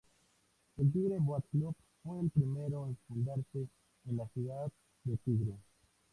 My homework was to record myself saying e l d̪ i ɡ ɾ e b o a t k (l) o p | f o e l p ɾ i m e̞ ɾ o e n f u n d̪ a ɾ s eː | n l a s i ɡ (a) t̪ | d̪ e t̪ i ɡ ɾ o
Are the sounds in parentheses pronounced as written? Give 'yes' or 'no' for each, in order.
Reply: yes, yes

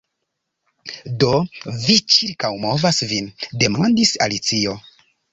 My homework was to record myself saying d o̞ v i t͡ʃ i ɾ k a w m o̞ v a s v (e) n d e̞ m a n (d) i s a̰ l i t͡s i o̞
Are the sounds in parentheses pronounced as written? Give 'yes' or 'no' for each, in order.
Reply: no, yes

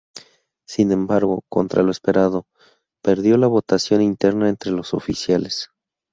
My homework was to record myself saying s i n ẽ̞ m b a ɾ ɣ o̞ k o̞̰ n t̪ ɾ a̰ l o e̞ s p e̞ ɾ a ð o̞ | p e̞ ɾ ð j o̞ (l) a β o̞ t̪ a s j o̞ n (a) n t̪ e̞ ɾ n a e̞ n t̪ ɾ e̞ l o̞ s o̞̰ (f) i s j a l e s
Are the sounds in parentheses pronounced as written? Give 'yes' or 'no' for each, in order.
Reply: yes, no, yes

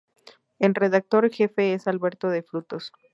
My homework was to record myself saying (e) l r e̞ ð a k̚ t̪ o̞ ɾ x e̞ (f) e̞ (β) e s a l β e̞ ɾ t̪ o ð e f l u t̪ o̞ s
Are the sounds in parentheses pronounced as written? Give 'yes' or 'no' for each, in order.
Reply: yes, yes, no

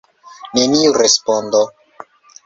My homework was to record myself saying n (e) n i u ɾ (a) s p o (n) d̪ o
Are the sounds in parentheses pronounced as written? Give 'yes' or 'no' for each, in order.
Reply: yes, no, yes

